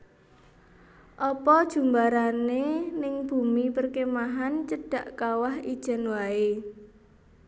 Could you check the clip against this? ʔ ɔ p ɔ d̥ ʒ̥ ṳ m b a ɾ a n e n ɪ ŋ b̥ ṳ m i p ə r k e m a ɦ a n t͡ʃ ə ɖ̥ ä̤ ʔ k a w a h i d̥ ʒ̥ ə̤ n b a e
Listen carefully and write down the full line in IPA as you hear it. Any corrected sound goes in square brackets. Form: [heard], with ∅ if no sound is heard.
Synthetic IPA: ʔ ɔ p ɔ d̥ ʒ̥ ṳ m b a ɾ a n e n ɪ ŋ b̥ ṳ m i p ə r k e m a ɦ a n t͡ʃ ə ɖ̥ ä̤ ʔ k a w a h i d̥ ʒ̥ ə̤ n [w] a e